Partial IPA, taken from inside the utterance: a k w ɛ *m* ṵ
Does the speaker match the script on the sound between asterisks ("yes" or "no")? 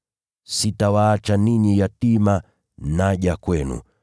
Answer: no